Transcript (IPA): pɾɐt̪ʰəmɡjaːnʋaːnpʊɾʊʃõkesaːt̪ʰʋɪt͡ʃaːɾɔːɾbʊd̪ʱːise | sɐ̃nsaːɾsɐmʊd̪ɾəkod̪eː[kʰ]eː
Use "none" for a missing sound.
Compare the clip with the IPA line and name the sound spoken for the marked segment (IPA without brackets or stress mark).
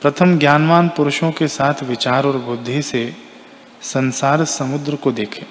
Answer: kʰ